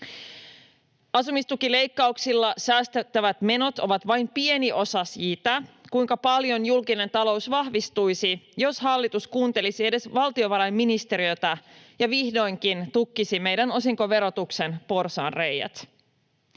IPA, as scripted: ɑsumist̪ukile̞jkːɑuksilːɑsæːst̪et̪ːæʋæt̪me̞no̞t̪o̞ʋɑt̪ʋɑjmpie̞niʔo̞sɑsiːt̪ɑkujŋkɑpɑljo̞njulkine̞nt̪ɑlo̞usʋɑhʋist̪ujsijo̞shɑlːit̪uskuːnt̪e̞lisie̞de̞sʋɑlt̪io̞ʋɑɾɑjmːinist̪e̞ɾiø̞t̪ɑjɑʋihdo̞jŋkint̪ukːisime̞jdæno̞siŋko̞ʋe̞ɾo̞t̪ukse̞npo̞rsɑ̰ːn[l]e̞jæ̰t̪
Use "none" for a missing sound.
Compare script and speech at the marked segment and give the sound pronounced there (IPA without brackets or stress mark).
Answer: r